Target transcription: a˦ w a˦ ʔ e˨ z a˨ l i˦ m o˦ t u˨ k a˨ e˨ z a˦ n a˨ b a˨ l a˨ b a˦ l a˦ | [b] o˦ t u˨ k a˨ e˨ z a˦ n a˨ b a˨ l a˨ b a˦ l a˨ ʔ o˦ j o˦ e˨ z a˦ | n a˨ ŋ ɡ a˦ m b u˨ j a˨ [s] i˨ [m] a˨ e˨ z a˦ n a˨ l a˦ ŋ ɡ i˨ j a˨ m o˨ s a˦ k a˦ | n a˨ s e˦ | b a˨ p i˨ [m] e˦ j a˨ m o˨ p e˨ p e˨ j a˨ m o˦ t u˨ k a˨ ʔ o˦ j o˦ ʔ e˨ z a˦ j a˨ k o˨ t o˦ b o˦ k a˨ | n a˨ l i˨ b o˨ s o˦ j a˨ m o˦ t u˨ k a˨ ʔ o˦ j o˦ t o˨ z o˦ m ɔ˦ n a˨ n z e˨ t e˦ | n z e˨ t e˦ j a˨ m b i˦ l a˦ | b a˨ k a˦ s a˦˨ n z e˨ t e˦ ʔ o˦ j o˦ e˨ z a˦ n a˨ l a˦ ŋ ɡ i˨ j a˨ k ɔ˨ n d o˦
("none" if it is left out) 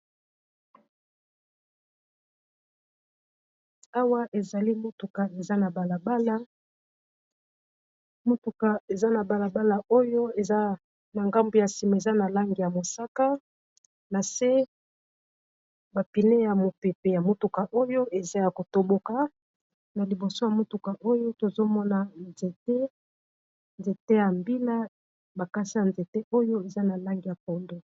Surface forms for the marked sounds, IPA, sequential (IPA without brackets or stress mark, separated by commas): m, s, m, n